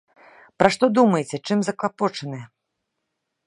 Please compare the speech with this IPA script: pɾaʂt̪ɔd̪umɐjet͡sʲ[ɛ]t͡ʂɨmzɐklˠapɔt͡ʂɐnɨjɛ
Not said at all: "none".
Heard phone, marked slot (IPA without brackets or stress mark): ɛ